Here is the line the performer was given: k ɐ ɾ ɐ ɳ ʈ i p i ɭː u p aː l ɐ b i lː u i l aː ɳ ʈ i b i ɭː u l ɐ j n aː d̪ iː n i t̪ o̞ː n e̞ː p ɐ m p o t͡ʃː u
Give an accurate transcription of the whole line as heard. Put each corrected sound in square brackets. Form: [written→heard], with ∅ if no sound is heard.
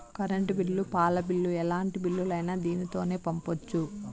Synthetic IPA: k ɐ ɾ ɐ ɳ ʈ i [p→b] i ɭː u p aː l ɐ b i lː u [i→ɛ] l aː ɳ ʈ i b i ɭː u l ɐ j n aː d̪ iː n i t̪ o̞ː n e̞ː p ɐ m p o t͡ʃː u